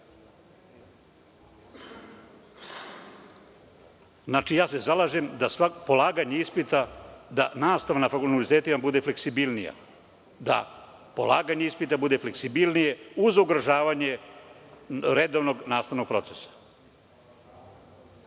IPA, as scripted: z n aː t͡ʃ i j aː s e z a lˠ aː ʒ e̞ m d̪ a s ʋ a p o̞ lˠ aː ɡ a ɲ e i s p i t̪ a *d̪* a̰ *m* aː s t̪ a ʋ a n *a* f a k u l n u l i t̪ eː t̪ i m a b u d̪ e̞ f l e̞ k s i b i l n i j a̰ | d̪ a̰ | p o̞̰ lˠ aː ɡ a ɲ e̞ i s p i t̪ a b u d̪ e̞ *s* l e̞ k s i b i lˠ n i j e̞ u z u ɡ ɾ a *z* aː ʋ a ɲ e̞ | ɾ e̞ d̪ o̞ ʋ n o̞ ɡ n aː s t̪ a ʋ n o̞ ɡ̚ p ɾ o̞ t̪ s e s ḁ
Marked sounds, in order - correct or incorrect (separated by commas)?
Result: correct, incorrect, correct, incorrect, incorrect